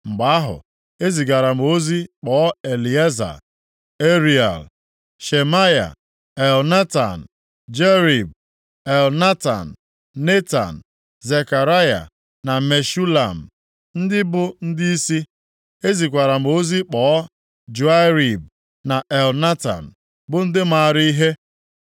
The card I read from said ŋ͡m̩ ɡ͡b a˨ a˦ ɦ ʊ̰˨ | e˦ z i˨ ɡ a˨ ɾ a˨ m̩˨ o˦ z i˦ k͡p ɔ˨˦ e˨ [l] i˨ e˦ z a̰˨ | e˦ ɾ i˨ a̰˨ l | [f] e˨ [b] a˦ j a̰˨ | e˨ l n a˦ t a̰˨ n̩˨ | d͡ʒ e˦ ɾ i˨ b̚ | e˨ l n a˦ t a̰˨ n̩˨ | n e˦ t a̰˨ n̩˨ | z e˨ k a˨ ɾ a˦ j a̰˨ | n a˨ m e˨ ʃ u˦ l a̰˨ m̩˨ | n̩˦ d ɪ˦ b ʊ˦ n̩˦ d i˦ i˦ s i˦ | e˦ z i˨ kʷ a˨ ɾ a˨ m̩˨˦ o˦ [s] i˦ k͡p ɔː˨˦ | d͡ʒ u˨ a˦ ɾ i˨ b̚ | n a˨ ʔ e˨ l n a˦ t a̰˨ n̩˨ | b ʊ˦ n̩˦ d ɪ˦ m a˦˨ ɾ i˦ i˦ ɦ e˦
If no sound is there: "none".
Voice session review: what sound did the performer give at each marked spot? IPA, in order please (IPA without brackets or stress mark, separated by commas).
l, ʃ, m, z